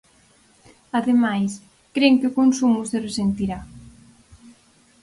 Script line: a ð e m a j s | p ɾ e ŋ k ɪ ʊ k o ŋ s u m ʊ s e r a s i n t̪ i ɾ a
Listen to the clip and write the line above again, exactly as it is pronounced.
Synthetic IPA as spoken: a ð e m a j s | k ɾ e ŋ k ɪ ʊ k o n s u m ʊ s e r e s e n t̪ i ɾ a